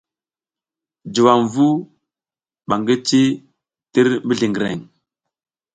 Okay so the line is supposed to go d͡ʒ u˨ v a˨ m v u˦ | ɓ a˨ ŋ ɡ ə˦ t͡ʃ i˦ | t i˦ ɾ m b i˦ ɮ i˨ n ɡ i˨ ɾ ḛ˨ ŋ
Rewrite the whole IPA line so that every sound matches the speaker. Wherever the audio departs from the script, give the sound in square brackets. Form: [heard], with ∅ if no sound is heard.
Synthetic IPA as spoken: d͡ʒ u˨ [w] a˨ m v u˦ | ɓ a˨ ŋ ɡ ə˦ t͡ʃ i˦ | t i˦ ɾ m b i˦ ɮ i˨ [ŋ] ɡ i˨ ɾ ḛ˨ ŋ